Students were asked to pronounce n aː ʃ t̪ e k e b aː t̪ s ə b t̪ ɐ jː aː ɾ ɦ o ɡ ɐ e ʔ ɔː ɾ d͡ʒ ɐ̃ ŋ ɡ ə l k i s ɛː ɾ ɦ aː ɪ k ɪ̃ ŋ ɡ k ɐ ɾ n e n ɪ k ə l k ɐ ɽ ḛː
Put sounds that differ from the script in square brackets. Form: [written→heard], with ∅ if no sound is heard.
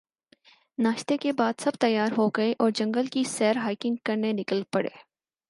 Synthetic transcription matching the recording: n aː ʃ t̪ e k e b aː [t̪→d̪] s [ə→ɐ] b t̪ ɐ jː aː ɾ ɦ o ɡ ɐ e ʔ ɔː ɾ d͡ʒ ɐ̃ ŋ ɡ ə l k i s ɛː ɾ ɦ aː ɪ k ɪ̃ ŋ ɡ k ɐ ɾ n e n ɪ k ə l [k→p] ɐ ɽ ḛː